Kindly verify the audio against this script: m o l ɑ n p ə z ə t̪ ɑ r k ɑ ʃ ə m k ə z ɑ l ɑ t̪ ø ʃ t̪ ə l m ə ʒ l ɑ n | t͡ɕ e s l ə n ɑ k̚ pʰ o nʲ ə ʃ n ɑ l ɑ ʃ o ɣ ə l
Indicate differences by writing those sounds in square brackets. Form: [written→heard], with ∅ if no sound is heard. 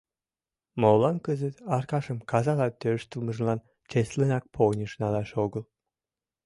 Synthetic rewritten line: m o l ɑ n [p→k] ə z ə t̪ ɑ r k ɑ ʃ ə m k [ə→ɑ] z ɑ l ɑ t̪ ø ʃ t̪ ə l m ə ʒ l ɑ n | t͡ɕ e s l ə n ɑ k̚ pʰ o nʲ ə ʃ n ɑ l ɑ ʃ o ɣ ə l